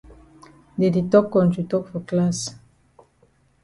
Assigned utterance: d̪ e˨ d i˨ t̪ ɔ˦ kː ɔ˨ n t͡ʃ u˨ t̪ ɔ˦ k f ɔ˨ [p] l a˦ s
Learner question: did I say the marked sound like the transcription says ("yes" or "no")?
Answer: no